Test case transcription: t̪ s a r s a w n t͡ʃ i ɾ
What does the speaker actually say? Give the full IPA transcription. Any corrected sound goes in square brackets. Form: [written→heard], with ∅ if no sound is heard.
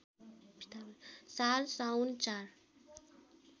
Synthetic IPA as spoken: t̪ s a [r→l] s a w n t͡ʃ [i→a] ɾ